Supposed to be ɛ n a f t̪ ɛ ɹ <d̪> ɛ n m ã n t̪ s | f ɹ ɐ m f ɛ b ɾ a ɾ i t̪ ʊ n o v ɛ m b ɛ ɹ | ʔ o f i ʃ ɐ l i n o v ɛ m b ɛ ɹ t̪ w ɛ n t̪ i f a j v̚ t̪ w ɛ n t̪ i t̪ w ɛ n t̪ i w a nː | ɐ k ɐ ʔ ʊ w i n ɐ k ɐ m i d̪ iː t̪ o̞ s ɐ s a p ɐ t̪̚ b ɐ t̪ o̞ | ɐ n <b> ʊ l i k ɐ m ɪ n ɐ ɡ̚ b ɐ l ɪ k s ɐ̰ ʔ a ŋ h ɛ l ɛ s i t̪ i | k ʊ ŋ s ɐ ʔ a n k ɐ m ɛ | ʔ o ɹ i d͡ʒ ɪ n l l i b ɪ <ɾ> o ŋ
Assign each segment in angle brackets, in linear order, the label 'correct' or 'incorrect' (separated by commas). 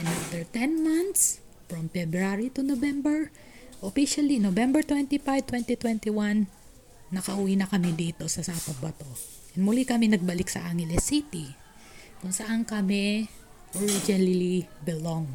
incorrect, incorrect, incorrect